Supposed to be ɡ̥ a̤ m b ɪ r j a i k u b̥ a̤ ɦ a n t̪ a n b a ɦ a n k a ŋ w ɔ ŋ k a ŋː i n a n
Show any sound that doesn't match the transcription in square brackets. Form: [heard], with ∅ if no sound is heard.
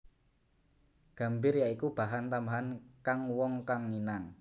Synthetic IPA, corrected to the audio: ɡ̥ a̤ m b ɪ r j a i k u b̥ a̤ ɦ a n t̪ a [m] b a ɦ a n k a ŋ w ɔ ŋ k a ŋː i n a [ŋ]